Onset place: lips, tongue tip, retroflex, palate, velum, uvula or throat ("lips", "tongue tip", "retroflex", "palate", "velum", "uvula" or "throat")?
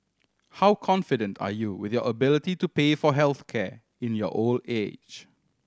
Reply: throat